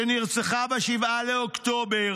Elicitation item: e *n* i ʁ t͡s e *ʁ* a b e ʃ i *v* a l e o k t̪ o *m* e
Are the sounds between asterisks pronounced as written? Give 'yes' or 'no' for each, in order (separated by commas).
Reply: yes, no, yes, no